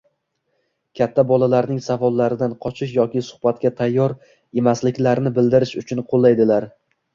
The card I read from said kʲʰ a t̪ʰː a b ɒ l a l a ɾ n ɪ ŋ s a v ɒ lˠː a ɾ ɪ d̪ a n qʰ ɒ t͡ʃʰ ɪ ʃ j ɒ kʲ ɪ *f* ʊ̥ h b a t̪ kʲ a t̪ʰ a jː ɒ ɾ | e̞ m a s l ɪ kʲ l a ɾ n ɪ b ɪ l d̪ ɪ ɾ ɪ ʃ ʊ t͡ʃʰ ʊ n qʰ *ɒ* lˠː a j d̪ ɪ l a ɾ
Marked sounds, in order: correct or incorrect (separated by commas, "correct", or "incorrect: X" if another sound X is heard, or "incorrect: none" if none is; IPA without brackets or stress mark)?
incorrect: s, incorrect: o